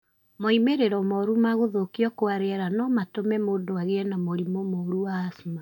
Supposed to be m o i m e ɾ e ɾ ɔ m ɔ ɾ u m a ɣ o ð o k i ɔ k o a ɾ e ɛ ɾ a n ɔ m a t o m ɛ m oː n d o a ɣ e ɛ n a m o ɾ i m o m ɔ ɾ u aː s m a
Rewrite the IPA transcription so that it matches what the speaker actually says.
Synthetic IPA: m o i m e ɾ e ɾ ɔ m ɔ ɾ u m a ɣ o ð o k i ɔ k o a ɾ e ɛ ɾ a n ɔ m a t o m ɛ m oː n d o a ɣ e ɛ n a m o ɾ i m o m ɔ ɾ u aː s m a

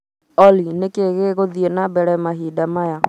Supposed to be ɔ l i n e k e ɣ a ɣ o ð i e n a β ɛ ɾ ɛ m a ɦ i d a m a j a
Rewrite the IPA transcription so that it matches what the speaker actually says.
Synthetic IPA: ɔ l i n e k e ɣ e ɣ o ð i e n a b ɛ ɾ ɛ m a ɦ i d a m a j a

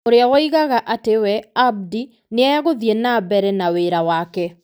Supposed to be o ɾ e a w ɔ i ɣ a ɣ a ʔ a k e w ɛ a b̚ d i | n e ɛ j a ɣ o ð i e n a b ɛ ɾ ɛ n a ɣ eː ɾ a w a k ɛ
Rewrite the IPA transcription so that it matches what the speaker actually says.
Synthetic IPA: o ɾ e a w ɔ i ɣ a ɣ a ʔ a t e w ɛ a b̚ d i | n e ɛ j a ɣ o ð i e n a b ɛ ɾ ɛ n a w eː ɾ a w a k ɛ

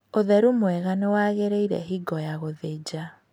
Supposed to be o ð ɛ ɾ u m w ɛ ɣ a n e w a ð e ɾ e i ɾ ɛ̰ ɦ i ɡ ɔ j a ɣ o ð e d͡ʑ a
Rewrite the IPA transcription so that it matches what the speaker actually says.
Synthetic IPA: o ð ɛ ɾ u m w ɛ ɣ a n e w a ɣ e ɾ e i ɾ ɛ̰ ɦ i ɡ ɔ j a ɣ o ð e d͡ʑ a

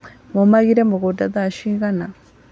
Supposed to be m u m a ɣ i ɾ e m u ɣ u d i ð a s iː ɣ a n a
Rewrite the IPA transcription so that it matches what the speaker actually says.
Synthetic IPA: m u m a ɣ i ɾ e m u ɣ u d a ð a ʃ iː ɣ a n a

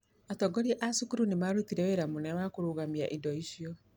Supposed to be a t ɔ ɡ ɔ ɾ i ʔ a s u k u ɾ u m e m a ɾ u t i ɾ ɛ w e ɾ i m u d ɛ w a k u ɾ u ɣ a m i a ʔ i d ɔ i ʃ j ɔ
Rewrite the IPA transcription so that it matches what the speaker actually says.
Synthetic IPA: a t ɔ ɡ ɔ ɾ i ʔ a s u k u ɾ u n e m a ɾ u t i ɾ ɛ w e ɾ a m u n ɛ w a k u ɾ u ɣ a m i a ʔ i d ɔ i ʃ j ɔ

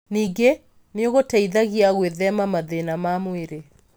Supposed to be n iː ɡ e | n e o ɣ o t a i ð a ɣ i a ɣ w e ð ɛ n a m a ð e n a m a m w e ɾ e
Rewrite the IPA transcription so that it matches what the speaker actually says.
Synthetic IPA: n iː ɡ e | n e o ɣ o t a i ð a ɣ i a ɣ w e ð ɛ m a m a ð e n a m a m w e ɾ e

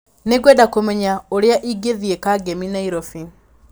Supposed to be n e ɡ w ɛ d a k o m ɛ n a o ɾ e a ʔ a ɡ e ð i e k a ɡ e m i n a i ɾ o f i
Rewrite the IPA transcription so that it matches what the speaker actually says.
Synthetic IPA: n e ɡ w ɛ d a k o m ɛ ɲ a o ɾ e a ʔ i ɡ e ð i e k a ɡ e m i n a i ɾ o f i

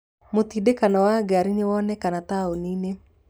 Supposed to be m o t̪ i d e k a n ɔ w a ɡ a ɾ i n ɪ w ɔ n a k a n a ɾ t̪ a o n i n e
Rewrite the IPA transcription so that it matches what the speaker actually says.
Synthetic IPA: m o t̪ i d e k a n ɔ w a ɡ a ɾ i n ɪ w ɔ n ɛ k a n a t̪ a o n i n e

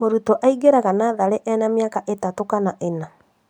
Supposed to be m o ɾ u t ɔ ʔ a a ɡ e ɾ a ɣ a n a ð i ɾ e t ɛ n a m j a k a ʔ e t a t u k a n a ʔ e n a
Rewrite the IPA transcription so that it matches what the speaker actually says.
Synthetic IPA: m o ɾ u t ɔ ʔ a i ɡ e ɾ a ɣ a n a ð a ɾ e ʔ ɛ n a m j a k a ʔ e t a t o k a n a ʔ e n a

